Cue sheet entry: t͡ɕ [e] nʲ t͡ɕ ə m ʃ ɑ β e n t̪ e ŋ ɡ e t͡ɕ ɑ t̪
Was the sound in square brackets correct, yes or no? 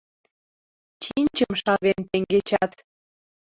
no